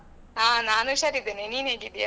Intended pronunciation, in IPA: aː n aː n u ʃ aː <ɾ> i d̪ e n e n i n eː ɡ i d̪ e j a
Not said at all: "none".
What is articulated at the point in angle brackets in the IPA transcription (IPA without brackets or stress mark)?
ɾ